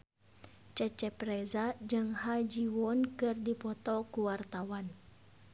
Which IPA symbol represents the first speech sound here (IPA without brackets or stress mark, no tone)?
t͡ʃ